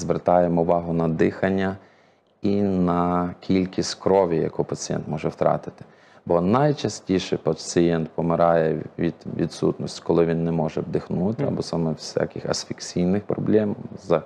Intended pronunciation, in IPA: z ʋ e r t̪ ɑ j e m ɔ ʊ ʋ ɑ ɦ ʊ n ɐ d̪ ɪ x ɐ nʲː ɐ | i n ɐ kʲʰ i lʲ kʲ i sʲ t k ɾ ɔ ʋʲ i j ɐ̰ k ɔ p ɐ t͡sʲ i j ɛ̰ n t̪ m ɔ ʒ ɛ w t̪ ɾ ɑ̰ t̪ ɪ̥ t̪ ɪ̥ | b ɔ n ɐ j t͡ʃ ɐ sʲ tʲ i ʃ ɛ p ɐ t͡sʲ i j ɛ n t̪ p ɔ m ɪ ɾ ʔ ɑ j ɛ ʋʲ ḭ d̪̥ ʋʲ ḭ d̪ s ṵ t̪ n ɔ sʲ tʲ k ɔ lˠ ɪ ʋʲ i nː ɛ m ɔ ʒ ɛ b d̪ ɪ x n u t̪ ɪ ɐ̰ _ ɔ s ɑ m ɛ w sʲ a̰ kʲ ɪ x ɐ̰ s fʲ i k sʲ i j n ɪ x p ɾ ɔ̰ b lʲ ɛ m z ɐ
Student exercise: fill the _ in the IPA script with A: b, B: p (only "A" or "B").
A